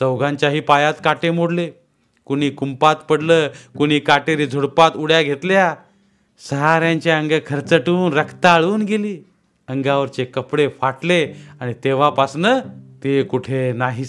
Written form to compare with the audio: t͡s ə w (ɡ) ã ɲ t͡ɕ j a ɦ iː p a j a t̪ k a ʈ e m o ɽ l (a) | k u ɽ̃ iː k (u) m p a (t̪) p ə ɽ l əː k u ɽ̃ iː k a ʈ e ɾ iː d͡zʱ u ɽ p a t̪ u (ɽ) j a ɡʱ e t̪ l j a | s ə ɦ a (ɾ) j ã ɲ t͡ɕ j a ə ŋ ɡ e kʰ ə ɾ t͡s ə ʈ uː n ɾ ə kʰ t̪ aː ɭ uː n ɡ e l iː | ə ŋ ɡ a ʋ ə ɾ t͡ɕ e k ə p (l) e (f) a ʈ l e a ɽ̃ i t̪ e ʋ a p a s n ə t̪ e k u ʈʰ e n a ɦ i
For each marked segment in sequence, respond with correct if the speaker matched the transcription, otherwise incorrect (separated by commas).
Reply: correct, incorrect, correct, correct, correct, correct, incorrect, correct